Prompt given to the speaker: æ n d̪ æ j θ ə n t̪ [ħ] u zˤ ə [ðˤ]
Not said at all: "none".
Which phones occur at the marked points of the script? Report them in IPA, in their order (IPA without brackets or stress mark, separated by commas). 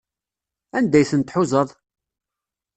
ħ, ðˤ